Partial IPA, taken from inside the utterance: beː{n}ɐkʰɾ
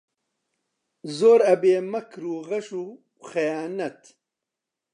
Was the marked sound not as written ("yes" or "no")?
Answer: yes